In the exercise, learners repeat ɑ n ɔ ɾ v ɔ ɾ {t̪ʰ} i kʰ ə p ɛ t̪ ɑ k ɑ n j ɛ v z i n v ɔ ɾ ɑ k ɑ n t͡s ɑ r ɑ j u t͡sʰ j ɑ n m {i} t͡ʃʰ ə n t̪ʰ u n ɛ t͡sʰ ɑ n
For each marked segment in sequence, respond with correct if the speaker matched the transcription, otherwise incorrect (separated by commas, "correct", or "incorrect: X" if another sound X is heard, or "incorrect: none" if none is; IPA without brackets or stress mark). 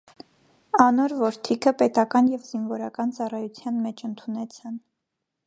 correct, incorrect: ɛ